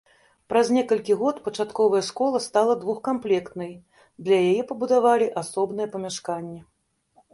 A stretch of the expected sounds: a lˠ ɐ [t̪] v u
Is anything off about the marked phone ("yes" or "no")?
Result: yes